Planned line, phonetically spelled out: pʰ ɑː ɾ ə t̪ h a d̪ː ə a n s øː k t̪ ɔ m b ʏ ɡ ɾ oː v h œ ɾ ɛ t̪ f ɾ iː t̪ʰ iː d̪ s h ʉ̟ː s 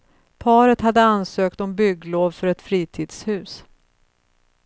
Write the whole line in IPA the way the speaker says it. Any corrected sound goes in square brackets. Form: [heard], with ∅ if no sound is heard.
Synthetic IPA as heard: pʰ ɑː ɾ ə t̪ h a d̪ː ə a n s øː k t̪ ɔ m b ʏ ɡ [l] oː v [f] œ ɾ ɛ t̪ f ɾ iː t̪ʰ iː d̪ s h ʉ̟ː s